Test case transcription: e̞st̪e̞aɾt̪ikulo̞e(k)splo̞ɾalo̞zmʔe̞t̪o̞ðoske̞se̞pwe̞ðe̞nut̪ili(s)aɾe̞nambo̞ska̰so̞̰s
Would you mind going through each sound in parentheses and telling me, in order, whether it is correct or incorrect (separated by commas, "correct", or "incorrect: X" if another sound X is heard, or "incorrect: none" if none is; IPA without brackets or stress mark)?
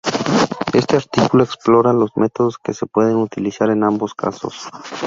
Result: correct, correct